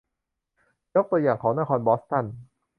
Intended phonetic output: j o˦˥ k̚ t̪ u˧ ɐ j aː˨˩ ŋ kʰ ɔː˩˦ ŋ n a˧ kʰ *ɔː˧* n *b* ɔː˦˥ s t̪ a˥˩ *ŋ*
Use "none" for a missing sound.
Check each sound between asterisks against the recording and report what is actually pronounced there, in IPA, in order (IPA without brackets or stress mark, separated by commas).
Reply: ɔː˧, b, n